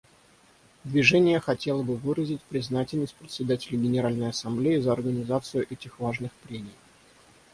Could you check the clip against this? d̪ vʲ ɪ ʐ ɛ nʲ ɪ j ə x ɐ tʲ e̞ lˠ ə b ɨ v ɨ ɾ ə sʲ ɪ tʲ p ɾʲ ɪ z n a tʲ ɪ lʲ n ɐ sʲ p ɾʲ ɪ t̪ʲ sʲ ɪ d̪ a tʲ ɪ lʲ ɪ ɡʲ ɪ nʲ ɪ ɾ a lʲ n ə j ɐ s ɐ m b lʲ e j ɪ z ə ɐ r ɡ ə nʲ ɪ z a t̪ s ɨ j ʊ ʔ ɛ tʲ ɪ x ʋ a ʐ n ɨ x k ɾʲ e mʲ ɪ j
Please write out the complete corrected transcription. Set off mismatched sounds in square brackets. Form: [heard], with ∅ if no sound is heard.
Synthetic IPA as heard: d̪ vʲ ɪ ʐ ɛ nʲ ɪ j ə x ɐ tʲ e̞ lˠ ə b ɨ v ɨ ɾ ə [zʲ] ɪ tʲ p ɾʲ ɪ z n a tʲ ɪ lʲ n [ə] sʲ p ɾʲ ɪ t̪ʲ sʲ ɪ d̪ a tʲ ɪ lʲ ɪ ɡʲ ɪ nʲ ɪ ɾ a lʲ n ə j ɐ s ɐ m b lʲ e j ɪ z ə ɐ r ɡ ə nʲ ɪ z a t̪ s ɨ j ʊ ʔ ɛ tʲ ɪ x [v] a ʐ n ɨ x [p] ɾʲ e mʲ ɪ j